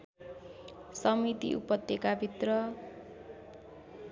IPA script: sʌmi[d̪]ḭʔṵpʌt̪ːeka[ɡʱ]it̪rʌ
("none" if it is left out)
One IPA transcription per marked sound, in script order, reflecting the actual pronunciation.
t̪, bʱ

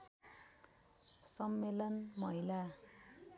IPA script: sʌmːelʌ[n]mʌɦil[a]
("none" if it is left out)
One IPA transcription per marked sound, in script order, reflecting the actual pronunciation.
n, a

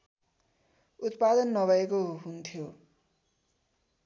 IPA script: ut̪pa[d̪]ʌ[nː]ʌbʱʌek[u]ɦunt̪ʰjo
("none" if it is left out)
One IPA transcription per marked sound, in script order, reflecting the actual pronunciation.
d̪, nː, o

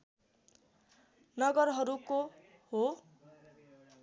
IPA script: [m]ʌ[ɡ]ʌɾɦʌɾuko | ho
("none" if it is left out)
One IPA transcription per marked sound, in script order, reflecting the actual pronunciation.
n, ɡ

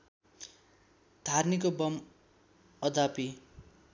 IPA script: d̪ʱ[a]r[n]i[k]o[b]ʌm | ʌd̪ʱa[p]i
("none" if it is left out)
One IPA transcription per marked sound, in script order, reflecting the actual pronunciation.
a, n, k, b, p

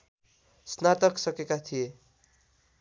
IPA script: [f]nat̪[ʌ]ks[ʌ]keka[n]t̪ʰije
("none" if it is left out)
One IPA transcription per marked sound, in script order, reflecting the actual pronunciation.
s, ʌ, ʌ, none

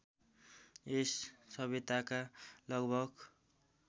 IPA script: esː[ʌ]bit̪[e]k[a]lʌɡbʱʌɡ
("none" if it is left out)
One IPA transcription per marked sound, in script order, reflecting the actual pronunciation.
ʌ, a, a

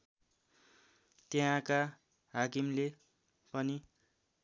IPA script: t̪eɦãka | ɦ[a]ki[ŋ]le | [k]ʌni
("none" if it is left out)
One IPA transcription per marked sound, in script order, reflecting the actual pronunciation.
a, m, p

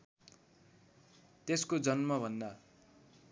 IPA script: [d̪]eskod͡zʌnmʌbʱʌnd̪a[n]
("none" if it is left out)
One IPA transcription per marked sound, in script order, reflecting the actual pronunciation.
t̪, none

